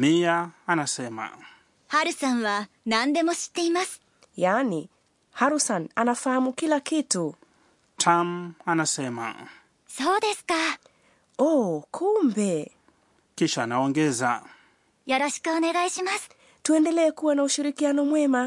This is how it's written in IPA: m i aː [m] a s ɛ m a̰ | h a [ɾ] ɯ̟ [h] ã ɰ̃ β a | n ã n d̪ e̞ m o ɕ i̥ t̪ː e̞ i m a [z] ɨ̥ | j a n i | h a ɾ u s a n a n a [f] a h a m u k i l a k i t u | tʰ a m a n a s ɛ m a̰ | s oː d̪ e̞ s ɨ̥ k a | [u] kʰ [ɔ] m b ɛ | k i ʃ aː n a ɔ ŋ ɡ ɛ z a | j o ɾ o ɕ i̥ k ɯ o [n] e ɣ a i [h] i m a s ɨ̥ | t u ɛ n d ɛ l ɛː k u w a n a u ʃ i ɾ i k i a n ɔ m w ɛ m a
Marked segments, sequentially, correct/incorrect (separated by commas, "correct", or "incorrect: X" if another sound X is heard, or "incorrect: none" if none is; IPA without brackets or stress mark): incorrect: n, correct, incorrect: s, incorrect: s, correct, incorrect: ɔ, incorrect: u, correct, incorrect: ɕ